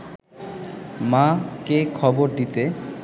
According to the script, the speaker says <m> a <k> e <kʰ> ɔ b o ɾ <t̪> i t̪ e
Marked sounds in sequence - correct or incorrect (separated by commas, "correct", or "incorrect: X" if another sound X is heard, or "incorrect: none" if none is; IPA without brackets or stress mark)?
correct, correct, correct, incorrect: d̪